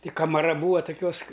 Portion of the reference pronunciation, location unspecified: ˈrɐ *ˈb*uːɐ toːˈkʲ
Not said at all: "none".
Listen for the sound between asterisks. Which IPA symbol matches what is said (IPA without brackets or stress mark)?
b